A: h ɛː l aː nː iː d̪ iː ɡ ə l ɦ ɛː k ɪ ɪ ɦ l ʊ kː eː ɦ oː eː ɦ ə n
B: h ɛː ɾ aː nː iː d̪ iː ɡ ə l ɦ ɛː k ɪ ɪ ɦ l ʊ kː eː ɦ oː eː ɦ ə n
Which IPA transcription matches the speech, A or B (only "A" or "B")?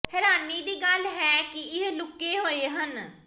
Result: B